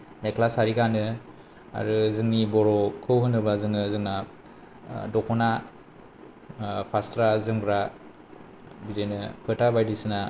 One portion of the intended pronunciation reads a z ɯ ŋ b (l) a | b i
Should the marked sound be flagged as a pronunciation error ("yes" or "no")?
yes